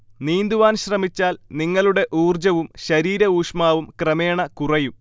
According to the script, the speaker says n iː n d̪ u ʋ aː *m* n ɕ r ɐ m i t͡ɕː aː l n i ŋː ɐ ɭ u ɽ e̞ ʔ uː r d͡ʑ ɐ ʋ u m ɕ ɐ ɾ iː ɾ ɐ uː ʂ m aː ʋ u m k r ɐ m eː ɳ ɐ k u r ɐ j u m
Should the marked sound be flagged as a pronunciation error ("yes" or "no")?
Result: yes